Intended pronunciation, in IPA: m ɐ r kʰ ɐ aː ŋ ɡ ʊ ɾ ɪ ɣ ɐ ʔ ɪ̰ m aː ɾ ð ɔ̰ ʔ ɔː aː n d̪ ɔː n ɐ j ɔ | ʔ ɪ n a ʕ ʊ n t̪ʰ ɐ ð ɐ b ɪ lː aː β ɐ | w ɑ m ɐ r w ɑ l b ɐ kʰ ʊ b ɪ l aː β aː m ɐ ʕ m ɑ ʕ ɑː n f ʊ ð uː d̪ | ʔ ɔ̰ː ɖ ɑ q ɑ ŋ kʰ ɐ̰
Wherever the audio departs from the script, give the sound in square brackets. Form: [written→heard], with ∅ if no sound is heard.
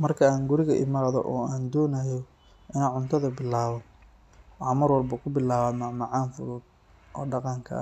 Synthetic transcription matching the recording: m ɐ r kʰ ɐ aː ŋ ɡ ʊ ɾ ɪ ɣ ɐ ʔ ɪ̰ m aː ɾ ð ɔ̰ ʔ ɔː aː n d̪ ɔː n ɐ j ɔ | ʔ ɪ n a ʕ ʊ n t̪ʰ ɐ ð ɐ b ɪ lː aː β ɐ | w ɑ m ɐ r w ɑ l b ɐ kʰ ʊ b ɪ l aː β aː m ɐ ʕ m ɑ ʕ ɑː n f ʊ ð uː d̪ | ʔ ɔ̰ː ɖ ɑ q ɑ ŋ kʰ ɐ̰